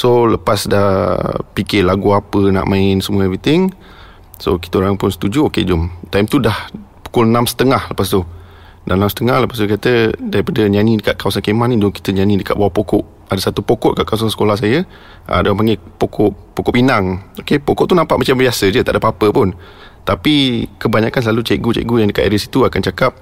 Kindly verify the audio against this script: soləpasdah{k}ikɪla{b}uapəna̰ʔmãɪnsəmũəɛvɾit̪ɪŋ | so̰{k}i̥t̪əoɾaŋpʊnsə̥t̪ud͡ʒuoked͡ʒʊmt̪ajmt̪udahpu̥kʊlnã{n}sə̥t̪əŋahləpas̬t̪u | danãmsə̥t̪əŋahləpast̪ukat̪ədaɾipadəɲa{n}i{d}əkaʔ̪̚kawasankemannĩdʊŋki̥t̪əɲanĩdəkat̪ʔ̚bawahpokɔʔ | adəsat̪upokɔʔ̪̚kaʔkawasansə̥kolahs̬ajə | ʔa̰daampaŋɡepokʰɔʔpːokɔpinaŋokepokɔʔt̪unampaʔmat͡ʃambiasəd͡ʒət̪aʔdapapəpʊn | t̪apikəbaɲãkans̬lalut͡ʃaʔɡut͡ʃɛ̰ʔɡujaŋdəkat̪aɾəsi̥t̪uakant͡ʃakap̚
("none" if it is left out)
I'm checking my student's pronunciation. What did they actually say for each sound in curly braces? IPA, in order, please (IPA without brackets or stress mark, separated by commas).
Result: p, ɡ, k, m, n, d